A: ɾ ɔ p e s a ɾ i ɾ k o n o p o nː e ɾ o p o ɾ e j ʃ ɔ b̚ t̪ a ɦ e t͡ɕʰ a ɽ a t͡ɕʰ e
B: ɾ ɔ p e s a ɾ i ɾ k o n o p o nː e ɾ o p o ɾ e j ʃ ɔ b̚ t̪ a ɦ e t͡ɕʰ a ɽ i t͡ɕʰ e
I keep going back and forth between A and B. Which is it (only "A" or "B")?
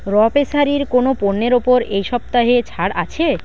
A